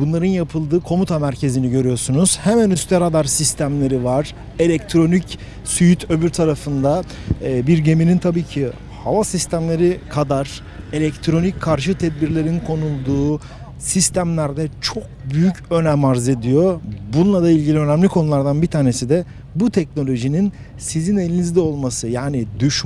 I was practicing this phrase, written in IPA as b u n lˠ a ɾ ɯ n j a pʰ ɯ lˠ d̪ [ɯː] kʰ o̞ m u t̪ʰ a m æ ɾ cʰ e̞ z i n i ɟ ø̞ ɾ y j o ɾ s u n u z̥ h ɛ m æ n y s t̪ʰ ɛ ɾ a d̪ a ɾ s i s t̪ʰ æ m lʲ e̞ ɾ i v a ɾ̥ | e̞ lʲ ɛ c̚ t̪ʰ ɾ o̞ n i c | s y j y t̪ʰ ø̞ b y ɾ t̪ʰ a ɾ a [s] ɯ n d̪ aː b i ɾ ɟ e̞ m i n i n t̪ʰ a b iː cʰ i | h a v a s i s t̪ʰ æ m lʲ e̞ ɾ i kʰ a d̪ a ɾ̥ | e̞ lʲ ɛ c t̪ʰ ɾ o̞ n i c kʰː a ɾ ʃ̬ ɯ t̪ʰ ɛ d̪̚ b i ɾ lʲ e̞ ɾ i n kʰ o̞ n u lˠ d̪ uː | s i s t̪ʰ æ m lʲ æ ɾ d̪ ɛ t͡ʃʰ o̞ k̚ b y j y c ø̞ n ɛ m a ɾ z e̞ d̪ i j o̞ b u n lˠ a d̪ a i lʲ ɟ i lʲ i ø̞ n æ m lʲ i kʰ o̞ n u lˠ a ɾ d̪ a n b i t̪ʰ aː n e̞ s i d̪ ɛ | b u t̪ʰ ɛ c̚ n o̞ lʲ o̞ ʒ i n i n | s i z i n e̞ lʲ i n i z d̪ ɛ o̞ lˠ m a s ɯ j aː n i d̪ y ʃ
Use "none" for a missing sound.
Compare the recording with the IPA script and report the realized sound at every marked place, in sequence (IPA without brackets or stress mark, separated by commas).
ɯː, f